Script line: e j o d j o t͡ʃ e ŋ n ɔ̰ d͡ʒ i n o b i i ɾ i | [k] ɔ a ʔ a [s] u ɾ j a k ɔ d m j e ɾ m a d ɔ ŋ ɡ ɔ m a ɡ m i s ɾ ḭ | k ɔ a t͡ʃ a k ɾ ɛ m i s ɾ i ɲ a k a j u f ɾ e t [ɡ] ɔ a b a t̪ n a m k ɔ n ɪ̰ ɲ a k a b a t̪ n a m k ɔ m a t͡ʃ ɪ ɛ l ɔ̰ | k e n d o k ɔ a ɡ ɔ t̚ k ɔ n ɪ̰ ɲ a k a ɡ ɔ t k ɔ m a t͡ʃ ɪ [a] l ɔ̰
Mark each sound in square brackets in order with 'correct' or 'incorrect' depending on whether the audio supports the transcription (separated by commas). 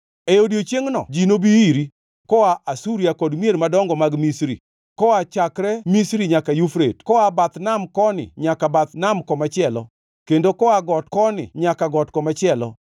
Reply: correct, correct, incorrect, incorrect